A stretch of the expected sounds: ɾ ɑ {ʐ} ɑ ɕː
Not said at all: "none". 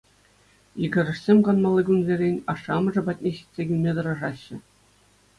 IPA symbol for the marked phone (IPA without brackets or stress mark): ʐ